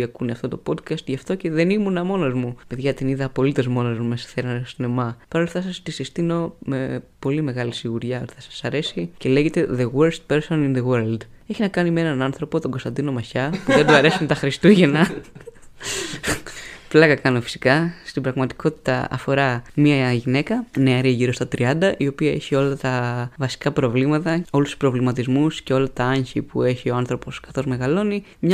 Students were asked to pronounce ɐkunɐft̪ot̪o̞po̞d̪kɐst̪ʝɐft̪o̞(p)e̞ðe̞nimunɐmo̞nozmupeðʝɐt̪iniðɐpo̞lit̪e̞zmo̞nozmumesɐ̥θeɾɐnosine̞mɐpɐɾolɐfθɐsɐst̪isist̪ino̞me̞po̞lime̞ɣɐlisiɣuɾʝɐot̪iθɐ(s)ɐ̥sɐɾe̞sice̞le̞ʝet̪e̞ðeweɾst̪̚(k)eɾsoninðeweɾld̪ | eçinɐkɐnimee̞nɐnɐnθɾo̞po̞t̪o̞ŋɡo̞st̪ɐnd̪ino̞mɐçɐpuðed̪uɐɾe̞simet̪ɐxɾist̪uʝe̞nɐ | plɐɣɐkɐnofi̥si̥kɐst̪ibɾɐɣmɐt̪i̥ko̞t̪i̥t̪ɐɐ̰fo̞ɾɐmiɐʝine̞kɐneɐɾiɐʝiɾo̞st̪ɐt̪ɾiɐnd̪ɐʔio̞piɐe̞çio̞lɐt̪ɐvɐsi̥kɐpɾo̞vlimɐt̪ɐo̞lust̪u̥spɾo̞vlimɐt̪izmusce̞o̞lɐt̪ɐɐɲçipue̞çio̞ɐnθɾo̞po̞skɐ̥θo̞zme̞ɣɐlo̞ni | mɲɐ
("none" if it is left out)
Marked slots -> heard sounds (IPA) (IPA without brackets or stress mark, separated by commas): c, s, p